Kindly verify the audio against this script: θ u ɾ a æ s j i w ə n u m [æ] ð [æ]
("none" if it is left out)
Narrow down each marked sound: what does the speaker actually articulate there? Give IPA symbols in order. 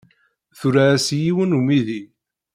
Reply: i, i

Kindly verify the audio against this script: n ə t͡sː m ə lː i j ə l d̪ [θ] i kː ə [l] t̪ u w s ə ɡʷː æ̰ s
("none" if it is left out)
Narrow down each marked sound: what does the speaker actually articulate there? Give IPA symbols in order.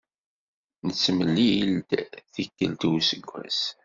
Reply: θ, l

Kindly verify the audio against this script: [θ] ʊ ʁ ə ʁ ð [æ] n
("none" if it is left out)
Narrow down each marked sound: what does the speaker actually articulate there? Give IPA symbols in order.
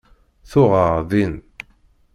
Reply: θ, i

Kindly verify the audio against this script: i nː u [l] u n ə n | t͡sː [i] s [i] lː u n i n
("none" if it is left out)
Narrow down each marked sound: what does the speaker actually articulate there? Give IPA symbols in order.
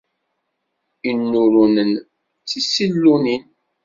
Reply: ɾ, i, i

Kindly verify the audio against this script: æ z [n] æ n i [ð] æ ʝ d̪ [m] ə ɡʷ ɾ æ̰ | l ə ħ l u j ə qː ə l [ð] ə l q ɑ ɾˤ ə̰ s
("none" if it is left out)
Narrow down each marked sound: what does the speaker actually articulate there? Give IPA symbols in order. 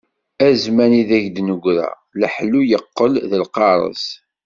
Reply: m, ð, n, ð

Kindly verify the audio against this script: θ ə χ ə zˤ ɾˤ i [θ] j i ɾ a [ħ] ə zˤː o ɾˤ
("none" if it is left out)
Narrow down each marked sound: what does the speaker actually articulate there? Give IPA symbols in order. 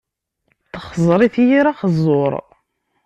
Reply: θ, χ

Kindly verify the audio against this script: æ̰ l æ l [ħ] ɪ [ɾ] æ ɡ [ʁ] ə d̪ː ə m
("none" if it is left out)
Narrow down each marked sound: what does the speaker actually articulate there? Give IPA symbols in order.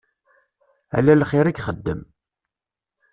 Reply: χ, ɾ, χ

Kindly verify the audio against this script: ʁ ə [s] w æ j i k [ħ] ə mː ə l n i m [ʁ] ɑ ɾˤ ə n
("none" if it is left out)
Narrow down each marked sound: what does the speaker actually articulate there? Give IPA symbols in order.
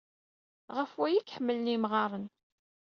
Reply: f, ħ, ʁ

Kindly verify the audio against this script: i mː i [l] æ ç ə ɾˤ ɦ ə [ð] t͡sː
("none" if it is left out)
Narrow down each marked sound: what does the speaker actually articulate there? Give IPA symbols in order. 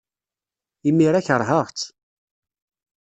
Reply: ɾ, ʁ

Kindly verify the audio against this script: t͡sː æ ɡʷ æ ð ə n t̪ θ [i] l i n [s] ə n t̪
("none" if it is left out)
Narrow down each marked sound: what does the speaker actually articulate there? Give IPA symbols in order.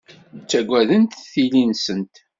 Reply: i, s

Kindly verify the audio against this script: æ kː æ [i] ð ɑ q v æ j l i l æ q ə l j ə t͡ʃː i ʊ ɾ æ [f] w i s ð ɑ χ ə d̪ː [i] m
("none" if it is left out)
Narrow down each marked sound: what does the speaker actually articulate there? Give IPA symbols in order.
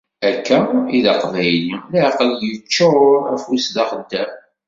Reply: i, f, æ

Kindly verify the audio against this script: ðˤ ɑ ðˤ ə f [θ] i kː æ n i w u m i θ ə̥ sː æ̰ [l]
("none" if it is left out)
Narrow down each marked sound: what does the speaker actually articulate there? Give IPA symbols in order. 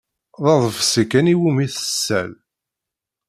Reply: s, l

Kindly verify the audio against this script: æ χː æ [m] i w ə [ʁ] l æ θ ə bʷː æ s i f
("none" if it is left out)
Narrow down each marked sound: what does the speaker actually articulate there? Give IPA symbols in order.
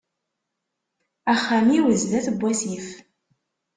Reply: m, z

